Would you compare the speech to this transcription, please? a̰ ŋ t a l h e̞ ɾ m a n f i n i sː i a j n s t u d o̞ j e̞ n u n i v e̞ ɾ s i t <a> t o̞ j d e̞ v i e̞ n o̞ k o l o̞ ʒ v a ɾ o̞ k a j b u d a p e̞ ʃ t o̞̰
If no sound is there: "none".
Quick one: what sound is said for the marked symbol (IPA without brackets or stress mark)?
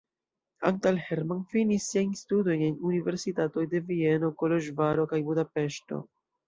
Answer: a